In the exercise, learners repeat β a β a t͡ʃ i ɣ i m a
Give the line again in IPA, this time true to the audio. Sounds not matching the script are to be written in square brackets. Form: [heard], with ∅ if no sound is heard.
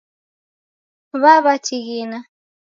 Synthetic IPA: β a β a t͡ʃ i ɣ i [n] a